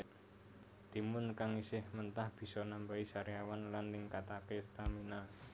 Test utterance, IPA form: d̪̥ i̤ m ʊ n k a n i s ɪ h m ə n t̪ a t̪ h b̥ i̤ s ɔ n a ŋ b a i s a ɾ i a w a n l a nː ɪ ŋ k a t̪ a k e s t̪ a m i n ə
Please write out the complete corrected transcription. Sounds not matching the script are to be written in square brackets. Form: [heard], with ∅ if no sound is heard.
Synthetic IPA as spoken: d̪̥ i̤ m ʊ n k a [ŋ] i s ɪ h m ə n t̪ a [∅] h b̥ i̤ s ɔ n a [m] b a i s a ɾ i a w a n l a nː ɪ ŋ k a t̪ a k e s t̪ a m i n [a]